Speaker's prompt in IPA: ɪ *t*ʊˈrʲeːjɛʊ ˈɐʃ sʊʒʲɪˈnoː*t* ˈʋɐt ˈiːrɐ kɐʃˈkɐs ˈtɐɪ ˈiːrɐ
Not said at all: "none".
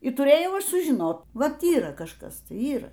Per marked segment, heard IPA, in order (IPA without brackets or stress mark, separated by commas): t, t